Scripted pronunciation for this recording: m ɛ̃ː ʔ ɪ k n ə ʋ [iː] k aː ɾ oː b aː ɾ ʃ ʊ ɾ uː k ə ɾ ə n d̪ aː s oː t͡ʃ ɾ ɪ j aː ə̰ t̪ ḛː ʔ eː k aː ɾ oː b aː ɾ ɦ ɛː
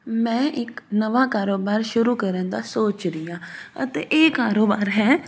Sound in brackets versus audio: incorrect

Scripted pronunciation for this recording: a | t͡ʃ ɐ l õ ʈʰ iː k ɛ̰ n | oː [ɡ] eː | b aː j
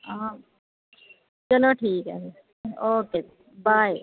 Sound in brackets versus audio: incorrect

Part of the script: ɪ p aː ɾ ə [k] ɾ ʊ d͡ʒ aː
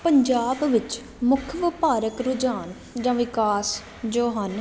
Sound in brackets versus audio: correct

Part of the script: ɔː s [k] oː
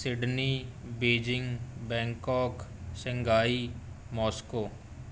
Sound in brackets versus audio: correct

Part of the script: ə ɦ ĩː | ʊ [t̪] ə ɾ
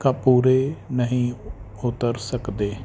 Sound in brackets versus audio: correct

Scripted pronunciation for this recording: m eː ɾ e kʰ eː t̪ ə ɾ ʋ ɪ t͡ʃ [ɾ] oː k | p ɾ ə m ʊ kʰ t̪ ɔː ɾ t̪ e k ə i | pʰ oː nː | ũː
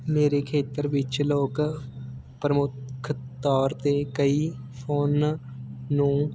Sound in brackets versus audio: incorrect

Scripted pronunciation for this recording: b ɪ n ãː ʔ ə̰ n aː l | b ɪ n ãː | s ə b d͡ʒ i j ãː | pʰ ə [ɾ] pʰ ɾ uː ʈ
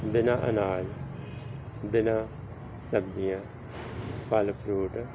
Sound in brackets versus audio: incorrect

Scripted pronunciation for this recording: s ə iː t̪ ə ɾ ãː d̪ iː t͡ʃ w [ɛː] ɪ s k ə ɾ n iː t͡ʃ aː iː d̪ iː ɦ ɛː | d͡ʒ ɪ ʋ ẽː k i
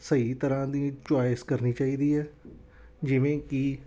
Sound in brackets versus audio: incorrect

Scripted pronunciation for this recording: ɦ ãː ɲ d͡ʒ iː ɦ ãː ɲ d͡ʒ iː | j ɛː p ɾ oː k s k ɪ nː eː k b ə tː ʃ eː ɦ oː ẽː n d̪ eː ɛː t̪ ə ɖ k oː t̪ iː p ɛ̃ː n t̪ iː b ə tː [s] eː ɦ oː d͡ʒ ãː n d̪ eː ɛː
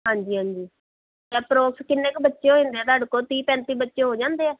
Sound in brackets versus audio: incorrect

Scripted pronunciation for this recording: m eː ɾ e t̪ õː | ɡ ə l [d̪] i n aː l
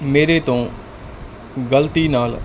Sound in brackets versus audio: incorrect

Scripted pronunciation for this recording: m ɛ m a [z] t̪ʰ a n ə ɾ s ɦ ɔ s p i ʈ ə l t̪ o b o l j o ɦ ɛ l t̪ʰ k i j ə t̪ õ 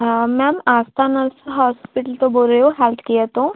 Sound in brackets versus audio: incorrect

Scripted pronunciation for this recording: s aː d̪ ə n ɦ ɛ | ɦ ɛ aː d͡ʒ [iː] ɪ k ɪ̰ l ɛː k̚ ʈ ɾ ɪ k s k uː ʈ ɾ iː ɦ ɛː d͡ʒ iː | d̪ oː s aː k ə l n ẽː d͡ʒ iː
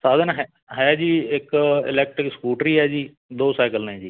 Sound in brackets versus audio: correct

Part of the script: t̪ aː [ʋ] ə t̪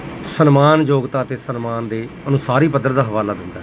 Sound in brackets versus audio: incorrect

